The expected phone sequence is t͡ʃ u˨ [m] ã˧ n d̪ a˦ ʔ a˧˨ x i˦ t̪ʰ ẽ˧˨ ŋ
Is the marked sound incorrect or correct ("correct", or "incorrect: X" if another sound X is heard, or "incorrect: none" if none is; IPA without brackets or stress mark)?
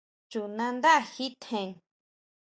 incorrect: n